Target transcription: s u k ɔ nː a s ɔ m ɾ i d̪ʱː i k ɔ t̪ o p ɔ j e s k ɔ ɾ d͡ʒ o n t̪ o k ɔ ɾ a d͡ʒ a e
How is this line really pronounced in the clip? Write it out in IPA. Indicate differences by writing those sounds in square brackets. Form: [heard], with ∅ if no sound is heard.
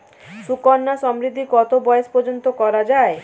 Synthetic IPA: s u k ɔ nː a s ɔ m ɾ i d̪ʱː i k ɔ t̪ o [b] ɔ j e s [p] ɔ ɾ d͡ʒ o n t̪ o k ɔ ɾ a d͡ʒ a e